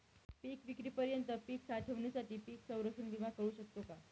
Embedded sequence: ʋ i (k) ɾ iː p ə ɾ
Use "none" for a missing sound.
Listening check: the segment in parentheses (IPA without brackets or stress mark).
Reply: k